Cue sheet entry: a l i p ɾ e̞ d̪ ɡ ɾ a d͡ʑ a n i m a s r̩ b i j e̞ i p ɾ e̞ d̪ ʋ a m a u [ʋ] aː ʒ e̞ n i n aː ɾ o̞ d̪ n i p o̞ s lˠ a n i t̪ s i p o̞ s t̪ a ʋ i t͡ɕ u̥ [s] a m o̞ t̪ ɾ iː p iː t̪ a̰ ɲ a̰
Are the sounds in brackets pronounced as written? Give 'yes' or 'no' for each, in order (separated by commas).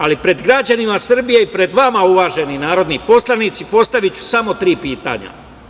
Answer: yes, yes